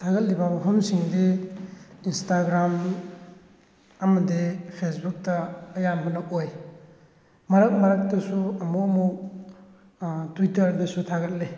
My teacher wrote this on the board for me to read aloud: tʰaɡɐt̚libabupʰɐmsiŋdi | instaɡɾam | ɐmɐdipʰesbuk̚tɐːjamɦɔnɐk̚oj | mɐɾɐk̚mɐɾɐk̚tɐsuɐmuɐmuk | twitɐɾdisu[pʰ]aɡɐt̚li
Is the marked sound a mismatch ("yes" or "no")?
yes